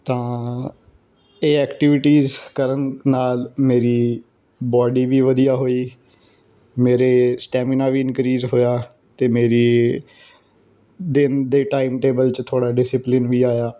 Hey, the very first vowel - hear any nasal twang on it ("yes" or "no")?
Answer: yes